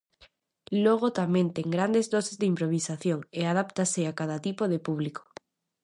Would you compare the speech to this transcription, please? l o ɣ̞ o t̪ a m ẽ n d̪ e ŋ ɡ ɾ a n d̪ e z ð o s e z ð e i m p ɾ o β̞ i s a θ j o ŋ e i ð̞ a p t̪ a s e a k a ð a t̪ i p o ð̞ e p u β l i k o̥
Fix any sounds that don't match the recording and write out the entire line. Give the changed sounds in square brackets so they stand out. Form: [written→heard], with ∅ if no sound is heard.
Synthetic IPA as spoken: l o ɣ̞ o t̪ a m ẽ n [d̪→t̪] e ŋ ɡ ɾ a n d̪ e z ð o s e z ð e i m p ɾ o β̞ i s a θ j o ŋ e [i→a] ð̞ a p t̪ a s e a k a ð a t̪ i p o ð̞ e p u β l i k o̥